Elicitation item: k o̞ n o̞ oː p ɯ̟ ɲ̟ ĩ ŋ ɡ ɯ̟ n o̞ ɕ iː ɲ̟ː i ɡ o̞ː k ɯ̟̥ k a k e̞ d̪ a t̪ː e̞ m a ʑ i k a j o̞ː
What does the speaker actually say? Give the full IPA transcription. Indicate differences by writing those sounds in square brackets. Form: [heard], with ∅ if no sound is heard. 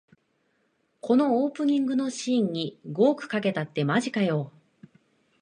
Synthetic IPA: k o̞ n o̞ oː p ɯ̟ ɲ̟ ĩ ŋ ɡ ɯ̟ n o̞ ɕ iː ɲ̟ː i ɡ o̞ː k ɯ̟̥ k a k e̞ [t̪] a t̪ː e̞ m a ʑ i k a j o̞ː

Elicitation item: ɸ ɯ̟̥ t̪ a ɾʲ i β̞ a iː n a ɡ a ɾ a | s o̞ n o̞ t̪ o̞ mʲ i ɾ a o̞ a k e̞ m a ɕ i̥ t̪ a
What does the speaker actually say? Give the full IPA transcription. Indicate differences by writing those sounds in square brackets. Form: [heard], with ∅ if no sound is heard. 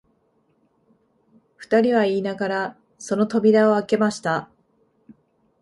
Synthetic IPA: ɸ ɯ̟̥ t̪ a ɾʲ i β̞ a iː n a ɡ a ɾ a | s o̞ n o̞ t̪ o̞ [bʲ] i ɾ a o̞ a k e̞ m a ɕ i̥ t̪ a

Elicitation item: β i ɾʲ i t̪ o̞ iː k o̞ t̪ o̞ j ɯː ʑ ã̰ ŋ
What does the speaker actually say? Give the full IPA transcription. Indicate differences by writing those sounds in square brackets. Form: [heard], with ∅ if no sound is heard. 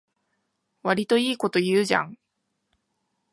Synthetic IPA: β [a] ɾʲ i t̪ o̞ iː k o̞ t̪ o̞ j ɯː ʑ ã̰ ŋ

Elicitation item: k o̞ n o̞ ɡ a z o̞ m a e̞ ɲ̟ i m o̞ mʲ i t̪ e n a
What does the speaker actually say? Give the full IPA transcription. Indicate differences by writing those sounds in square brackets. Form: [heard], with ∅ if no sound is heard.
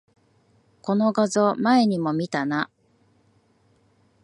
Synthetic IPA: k o̞ n o̞ ɡ a z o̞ m a e̞ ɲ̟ i m o̞ mʲ i t̪ [a] n a

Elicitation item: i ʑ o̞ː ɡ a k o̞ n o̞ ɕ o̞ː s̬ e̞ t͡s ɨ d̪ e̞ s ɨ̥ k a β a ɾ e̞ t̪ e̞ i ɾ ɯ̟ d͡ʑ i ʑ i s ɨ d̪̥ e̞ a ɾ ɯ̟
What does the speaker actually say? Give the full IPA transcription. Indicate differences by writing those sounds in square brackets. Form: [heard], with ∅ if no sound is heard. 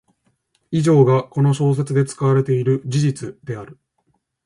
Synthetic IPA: i ʑ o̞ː ɡ a k o̞ n o̞ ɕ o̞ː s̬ e̞ t͡s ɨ d̪ e̞ [t͡s] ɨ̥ k a β a ɾ e̞ t̪ e̞ i ɾ ɯ̟ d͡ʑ i ʑ i [t͡s] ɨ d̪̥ e̞ a ɾ ɯ̟

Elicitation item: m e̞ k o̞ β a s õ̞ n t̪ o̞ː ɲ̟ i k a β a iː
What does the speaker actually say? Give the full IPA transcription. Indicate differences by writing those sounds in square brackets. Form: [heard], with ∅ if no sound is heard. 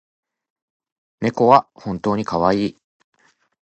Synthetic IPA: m e̞ k o̞ β a [h] õ̞ n t̪ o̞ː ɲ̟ i k a β a iː

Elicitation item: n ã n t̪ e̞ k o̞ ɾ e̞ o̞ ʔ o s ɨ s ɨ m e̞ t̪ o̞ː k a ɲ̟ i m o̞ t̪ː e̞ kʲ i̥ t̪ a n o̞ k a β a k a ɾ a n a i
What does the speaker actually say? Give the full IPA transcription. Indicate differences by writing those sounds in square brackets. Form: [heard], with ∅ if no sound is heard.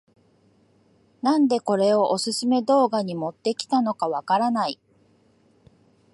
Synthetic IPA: n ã n [d̪] e̞ k o̞ ɾ e̞ o̞ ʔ o s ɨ s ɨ m e̞ [d̪] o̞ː [ɡ] a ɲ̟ i m o̞ t̪ː e̞ kʲ i̥ t̪ a n o̞ k a β a k a ɾ a n a i

